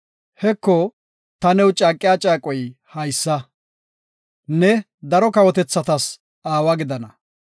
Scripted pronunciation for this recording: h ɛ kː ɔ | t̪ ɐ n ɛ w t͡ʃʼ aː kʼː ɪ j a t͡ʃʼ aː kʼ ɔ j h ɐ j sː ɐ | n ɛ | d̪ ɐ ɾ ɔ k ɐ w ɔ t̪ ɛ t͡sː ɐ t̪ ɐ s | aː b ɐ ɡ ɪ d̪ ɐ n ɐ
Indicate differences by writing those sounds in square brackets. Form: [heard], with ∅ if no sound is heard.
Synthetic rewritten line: h ɛ kː ɔ | t̪ ɐ n ɛ w t͡ʃʼ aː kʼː ɪ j a t͡ʃʼ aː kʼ ɔ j h ɐ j sː ɐ | n ɛ | d̪ ɐ ɾ ɔ k ɐ w ɔ t̪ ɛ t͡sː ɐ t̪ ɐ s | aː [w] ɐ ɡ ɪ d̪ ɐ n ɐ